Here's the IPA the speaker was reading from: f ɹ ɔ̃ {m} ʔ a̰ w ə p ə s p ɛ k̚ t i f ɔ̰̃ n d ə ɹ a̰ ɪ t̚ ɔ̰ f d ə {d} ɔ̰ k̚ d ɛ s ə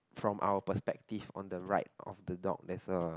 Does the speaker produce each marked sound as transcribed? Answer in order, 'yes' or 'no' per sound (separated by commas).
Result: yes, yes